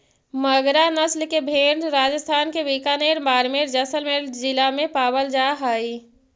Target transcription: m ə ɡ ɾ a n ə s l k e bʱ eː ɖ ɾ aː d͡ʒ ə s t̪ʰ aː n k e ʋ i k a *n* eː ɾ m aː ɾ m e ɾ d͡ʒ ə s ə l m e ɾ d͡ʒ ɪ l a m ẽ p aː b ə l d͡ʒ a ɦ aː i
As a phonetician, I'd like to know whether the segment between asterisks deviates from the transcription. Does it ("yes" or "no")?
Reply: no